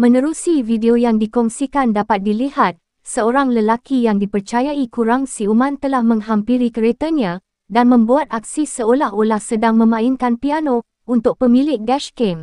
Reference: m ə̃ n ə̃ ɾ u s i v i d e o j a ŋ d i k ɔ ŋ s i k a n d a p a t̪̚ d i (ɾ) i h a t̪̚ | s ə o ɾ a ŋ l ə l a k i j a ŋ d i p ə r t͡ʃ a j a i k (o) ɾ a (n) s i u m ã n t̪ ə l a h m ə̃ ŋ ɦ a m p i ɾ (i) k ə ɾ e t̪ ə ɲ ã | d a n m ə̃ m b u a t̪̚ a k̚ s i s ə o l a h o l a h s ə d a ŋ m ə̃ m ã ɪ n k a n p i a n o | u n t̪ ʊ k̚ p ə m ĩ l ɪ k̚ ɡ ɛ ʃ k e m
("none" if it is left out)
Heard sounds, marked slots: l, u, ŋ, i

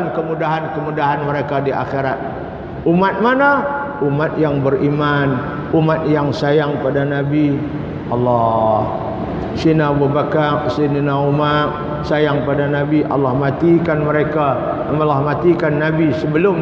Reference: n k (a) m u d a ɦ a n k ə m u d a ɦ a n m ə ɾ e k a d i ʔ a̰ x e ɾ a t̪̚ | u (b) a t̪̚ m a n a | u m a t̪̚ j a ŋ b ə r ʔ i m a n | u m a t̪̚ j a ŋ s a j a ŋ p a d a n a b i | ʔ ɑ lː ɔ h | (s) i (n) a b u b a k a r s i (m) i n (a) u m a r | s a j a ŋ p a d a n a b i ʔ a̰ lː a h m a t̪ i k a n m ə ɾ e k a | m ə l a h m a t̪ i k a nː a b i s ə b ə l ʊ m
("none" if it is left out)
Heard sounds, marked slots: ə, m, s, n, n, a

